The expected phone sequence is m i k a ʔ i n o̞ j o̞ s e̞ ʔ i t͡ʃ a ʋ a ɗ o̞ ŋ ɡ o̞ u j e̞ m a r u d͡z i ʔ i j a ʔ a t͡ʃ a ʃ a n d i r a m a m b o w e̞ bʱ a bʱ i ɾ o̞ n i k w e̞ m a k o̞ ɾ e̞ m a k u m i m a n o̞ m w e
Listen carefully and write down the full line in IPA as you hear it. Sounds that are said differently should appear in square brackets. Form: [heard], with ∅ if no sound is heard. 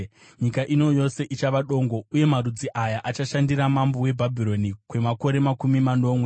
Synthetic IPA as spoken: [ɲ] i k a ʔ i n o̞ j o̞ s e̞ ʔ i t͡ʃ a ʋ a ɗ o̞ ŋ ɡ o̞ u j e̞ m a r u d͡z i ʔ [a] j a ʔ a t͡ʃ a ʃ a n d i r a m a m b o w e̞ bʱ a bʱ i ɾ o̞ n i k w e̞ m a k o̞ ɾ e̞ m a k u m i m a n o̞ m w e